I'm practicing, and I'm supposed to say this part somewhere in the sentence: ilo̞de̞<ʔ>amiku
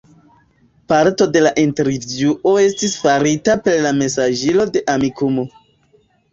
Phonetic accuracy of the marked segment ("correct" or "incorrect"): correct